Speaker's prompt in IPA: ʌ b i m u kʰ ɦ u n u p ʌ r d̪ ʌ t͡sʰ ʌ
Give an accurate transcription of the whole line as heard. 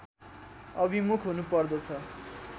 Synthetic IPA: ʌ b i m u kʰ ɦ u n u p ʌ r d̪ ʌ t͡sʰ ʌ